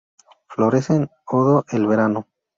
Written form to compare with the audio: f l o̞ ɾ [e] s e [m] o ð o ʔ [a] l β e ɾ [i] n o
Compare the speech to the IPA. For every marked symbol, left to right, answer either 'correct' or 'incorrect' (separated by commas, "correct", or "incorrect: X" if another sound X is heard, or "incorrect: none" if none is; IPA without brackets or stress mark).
correct, incorrect: n, incorrect: e, incorrect: a